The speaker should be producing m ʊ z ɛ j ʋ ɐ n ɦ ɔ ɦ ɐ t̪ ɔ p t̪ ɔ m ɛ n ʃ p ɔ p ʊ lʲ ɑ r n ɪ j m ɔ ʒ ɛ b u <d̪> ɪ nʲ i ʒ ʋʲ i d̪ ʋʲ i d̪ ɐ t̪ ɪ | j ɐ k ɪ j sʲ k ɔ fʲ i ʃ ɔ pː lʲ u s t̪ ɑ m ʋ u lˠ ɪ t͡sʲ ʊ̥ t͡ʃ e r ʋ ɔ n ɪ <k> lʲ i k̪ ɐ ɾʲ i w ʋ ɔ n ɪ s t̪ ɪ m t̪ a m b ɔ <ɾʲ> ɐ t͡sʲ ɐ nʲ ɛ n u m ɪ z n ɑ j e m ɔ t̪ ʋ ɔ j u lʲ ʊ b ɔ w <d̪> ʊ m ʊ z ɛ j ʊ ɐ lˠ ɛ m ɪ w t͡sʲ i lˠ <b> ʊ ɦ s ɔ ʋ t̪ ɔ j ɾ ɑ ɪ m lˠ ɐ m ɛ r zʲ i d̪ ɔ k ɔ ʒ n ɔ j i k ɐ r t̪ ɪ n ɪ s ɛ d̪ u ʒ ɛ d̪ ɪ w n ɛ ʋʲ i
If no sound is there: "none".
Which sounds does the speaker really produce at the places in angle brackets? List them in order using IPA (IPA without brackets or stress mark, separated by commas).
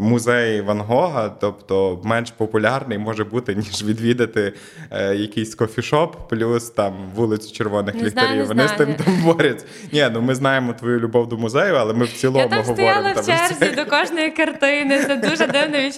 t̪, x, ɾʲ, d̪, m